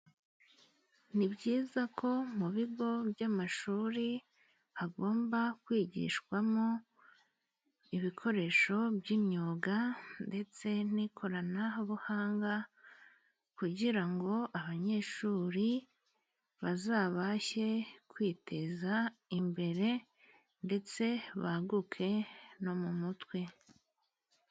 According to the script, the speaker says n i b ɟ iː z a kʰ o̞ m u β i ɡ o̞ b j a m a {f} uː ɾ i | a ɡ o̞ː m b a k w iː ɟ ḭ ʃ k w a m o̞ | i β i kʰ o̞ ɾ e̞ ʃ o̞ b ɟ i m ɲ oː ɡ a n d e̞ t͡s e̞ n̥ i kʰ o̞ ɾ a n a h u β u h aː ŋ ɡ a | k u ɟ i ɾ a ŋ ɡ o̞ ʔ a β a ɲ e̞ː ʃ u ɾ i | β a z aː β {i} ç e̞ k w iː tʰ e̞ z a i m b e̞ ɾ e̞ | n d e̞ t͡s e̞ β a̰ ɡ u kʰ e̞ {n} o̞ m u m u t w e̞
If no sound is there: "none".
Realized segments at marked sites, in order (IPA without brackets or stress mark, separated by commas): ʃ, a, n